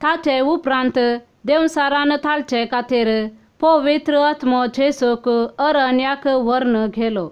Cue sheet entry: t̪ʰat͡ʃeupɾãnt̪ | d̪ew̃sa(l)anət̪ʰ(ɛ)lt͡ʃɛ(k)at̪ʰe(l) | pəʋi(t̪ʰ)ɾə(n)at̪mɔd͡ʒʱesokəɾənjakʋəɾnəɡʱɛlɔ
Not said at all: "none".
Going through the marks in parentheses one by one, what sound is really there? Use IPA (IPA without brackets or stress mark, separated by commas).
ɾ, a, k, ɾ, t̪, none